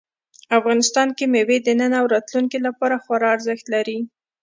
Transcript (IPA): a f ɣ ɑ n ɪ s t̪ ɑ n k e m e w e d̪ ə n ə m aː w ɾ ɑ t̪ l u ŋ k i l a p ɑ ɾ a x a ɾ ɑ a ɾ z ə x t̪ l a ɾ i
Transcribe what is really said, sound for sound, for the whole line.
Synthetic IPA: a f ɣ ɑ n ɪ s t̪ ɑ n k e m e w e d̪ ə n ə n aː w ɾ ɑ t̪ l u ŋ k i l a p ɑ ɾ a x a ɾ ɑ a ɾ z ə x t̪ l a ɾ i